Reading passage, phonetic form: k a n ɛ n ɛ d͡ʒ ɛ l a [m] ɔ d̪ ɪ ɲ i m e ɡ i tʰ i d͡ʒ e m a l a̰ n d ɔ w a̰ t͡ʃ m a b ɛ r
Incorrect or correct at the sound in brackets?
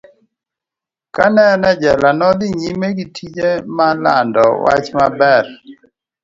incorrect: n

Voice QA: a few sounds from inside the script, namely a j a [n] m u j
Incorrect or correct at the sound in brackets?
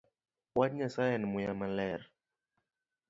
correct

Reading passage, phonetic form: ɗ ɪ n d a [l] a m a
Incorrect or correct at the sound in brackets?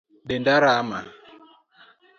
incorrect: ɾ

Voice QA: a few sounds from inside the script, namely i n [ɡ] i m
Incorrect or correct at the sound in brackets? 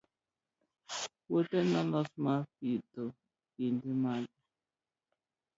incorrect: d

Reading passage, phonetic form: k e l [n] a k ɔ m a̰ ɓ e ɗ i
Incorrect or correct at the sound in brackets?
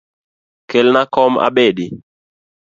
correct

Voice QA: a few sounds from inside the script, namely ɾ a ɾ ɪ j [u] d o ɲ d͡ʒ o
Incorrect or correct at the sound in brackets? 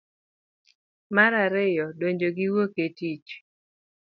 incorrect: ɔ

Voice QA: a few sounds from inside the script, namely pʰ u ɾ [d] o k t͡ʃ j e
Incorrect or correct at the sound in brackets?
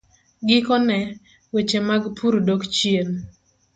correct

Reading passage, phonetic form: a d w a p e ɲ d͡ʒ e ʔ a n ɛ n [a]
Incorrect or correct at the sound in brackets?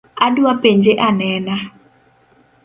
correct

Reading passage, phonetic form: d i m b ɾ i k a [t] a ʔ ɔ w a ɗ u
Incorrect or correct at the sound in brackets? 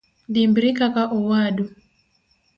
incorrect: k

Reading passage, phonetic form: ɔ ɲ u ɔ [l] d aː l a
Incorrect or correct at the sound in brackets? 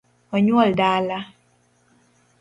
correct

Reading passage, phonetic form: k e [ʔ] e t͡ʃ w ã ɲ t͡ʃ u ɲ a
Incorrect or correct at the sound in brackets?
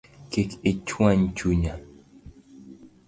incorrect: k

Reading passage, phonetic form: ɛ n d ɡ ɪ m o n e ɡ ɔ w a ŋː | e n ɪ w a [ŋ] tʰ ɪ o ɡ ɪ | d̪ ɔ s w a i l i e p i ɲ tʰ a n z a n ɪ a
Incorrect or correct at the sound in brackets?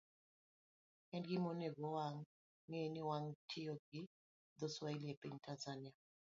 correct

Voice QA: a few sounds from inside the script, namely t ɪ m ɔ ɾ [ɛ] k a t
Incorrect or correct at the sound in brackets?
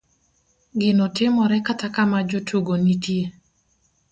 correct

